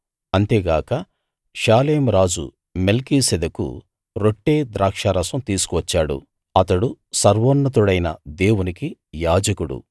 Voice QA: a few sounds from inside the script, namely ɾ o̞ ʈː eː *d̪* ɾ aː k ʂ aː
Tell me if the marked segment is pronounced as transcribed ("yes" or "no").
yes